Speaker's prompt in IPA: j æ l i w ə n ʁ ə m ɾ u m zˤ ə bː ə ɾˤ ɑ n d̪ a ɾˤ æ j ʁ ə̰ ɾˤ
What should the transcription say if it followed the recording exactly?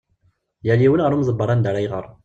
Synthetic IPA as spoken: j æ l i w ə n ʁ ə ɾ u m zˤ ə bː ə ɾˤ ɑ n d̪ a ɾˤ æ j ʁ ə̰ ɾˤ